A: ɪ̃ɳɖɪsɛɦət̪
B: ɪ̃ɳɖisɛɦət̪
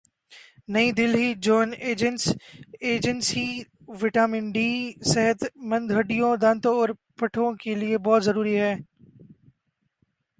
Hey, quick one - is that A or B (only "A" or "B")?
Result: B